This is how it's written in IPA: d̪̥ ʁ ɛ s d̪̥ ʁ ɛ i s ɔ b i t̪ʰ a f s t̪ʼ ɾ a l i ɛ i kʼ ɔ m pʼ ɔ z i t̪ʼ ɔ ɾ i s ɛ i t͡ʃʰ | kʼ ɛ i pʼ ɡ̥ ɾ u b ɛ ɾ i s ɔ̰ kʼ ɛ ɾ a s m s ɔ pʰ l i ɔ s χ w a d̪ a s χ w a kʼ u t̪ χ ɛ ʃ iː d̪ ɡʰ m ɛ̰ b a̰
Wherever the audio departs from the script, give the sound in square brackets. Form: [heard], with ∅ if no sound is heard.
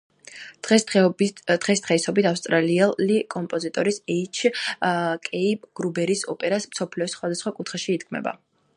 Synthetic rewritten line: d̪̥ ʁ ɛ s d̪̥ ʁ ɛ i s ɔ b i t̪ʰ a f s t̪ʼ ɾ a l i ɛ i kʼ ɔ m pʼ ɔ z i t̪ʼ ɔ ɾ i s ɛ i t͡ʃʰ | kʼ ɛ i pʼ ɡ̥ ɾ u b ɛ ɾ i s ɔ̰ [pʼ] ɛ ɾ a s m s ɔ pʰ l i ɔ s χ w a d̪ a s χ w a kʼ u t̪ χ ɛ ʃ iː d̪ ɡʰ m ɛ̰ b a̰